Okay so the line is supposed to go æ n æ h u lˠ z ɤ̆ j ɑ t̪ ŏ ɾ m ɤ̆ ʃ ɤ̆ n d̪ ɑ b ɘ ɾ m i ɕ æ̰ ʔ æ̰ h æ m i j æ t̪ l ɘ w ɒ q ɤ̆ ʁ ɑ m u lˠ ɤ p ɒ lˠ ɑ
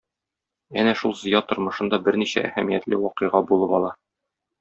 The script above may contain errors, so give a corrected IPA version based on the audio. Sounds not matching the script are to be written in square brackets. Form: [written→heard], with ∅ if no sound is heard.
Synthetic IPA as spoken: æ n æ [h→ʃ] u lˠ z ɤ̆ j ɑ t̪ ŏ ɾ m ɤ̆ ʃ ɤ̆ n d̪ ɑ b ɘ ɾ [m→n] i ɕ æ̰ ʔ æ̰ h æ m i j æ t̪ l ɘ w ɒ q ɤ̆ ʁ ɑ [m→b] u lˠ ɤ p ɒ lˠ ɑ